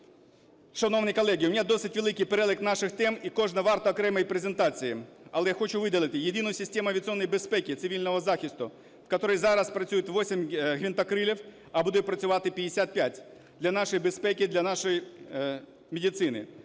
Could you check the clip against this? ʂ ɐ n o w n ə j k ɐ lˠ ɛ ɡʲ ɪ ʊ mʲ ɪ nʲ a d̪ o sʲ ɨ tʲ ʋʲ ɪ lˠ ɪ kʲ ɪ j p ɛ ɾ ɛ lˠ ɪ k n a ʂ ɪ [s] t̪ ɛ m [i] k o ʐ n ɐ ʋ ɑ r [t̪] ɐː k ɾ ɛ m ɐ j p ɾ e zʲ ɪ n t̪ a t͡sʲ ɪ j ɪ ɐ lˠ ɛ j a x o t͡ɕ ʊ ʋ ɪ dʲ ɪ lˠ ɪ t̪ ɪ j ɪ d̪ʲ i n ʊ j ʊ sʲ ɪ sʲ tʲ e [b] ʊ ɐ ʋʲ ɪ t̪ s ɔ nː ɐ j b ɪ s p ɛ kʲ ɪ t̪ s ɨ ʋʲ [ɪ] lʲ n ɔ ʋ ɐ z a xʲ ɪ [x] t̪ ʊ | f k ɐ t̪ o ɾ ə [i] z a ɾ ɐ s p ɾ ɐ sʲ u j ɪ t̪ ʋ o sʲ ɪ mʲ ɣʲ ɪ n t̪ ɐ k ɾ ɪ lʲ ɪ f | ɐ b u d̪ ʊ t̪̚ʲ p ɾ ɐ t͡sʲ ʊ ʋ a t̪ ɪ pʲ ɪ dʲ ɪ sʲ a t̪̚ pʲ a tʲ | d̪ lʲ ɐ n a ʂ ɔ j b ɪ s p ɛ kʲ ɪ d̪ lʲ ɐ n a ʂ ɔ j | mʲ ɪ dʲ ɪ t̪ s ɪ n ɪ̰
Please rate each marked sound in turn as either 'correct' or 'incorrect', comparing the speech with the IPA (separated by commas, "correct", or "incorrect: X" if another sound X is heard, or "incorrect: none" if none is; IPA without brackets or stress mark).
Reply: incorrect: x, correct, correct, incorrect: m, incorrect: i, incorrect: s, incorrect: j